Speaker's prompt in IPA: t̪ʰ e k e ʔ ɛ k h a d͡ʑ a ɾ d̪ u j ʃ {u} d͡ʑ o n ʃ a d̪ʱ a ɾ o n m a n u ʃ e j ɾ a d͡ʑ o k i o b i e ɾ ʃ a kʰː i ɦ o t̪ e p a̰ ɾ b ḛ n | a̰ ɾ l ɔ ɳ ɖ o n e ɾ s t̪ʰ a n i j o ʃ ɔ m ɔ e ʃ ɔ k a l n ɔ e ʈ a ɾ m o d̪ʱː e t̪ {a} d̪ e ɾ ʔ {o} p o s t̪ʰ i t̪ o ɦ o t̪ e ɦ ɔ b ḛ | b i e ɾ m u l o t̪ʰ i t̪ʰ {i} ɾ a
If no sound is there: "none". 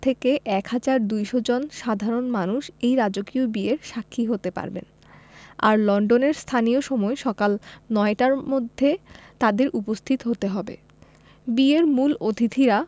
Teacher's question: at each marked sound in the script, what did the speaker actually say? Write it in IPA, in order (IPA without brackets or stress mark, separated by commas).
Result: o, a, u, i